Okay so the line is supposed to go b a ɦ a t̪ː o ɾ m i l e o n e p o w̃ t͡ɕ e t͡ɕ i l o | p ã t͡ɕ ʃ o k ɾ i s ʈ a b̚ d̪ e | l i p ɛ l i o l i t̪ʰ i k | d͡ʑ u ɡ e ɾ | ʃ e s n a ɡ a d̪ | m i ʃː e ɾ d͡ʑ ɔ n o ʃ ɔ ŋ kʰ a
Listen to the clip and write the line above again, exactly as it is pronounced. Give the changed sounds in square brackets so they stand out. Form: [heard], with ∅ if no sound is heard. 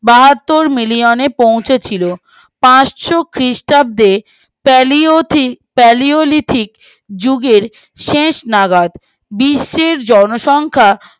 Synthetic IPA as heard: b a ɦ a t̪ː o ɾ m i l [i] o n e p o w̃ [t͡ɕʰ] e [t͡ɕʰ] i l o | p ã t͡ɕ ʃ o k ɾ i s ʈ a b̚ d̪ e | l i p ɛ l i o l i t̪ʰ i k | d͡ʑ u ɡ e ɾ | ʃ e [ʃ] n a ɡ a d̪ | [b] i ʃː e ɾ d͡ʑ ɔ n o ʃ ɔ ŋ kʰ a

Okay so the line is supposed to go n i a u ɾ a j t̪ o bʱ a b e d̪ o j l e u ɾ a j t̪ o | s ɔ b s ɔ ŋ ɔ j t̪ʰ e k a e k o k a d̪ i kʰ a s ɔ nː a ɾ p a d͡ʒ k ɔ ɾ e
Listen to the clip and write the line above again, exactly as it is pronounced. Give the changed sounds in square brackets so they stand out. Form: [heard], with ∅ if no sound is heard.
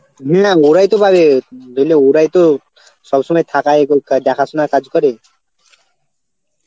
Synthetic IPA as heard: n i a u ɾ a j t̪ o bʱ a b e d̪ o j l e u ɾ a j t̪ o | s ɔ b s ɔ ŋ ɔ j t̪ʰ [a] k a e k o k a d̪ [a] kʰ a s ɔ [n] a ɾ [k] a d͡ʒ k ɔ ɾ e

